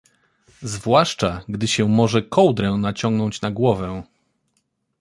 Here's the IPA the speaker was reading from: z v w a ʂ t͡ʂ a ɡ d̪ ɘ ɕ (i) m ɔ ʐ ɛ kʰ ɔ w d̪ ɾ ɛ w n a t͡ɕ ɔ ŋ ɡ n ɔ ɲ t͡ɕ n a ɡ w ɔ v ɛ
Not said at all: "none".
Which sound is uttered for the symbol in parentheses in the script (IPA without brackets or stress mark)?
ɛ